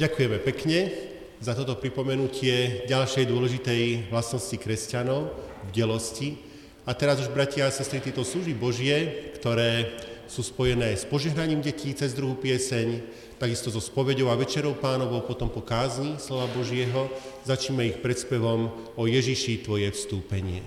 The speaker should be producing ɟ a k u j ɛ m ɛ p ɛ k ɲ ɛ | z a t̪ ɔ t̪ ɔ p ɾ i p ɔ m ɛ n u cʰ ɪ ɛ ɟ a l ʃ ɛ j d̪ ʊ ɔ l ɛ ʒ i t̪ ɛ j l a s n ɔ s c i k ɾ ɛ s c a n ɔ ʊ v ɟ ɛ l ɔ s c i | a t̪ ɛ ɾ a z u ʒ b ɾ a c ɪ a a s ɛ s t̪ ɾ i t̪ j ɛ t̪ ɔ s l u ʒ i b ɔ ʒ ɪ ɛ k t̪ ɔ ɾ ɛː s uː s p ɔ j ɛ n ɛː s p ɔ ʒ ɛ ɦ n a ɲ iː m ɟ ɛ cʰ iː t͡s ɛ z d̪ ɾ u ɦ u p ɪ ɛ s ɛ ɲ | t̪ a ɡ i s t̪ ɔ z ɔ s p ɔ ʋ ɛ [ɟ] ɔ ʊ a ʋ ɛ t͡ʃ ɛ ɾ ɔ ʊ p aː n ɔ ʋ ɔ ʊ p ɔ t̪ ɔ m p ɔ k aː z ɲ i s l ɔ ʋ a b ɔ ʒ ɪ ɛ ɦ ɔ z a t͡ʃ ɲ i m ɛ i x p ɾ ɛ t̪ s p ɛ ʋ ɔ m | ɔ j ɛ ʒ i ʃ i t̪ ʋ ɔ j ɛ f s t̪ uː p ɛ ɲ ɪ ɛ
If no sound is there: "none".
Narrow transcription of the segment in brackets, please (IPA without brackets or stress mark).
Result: ɟ